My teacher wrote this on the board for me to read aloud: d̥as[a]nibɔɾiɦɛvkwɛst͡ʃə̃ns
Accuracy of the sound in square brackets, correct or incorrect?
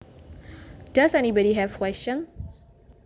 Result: incorrect